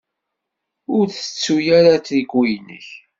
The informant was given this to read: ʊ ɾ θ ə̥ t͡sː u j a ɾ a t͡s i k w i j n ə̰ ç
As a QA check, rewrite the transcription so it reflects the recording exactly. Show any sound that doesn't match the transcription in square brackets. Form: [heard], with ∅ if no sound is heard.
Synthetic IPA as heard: ʊ ɾ θ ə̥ t͡sː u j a ɾ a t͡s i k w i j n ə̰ ç